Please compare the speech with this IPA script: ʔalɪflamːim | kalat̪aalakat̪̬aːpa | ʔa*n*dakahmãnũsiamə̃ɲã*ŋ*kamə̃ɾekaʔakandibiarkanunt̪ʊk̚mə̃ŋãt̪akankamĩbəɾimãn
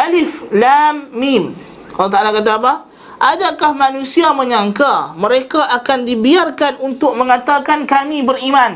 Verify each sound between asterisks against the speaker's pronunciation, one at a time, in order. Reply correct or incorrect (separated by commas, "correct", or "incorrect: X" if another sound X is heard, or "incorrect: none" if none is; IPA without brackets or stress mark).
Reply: incorrect: none, correct